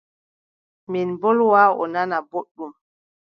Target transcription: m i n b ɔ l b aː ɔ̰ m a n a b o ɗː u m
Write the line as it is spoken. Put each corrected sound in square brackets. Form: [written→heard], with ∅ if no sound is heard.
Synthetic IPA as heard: m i n b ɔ l [b→w] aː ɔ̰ [m→n] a n a b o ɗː u m